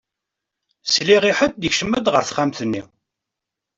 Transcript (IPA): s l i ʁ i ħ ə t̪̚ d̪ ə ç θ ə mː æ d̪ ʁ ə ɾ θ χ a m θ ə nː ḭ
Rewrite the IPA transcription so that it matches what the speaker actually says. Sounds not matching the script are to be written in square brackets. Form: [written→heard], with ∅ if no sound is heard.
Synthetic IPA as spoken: s l i ʁ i ħ ə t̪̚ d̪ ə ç [θ→ʃ] ə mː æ d̪ ʁ ə ɾ θ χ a m θ ə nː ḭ